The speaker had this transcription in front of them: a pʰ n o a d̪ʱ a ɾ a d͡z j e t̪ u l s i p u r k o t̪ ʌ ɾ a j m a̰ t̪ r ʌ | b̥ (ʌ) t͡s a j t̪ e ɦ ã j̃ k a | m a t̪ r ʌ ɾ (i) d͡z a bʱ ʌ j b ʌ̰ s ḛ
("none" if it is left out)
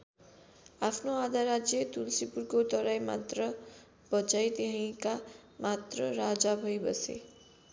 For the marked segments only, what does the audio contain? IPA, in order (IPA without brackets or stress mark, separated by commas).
ʌ, a